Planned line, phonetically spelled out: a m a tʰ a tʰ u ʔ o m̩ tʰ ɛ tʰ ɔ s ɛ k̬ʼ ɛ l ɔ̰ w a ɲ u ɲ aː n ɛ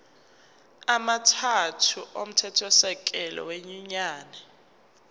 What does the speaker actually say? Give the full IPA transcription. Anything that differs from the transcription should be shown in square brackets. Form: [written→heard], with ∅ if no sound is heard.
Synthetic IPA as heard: a m a tʰ a tʰ u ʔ o m̩ tʰ ɛ tʰ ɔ s ɛ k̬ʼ ɛ l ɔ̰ w [a→e] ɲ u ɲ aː n ɛ